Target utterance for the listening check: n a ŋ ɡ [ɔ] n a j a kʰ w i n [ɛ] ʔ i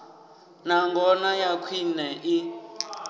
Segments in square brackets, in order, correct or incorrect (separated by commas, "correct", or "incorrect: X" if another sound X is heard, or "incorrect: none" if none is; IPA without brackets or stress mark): correct, correct